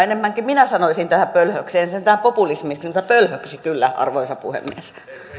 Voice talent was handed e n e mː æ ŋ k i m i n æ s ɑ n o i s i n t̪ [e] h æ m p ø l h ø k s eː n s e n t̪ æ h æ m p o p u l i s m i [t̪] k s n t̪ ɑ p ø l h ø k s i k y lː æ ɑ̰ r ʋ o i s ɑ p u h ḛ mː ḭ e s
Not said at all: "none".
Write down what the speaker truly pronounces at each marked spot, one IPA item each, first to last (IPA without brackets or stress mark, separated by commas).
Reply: æ, none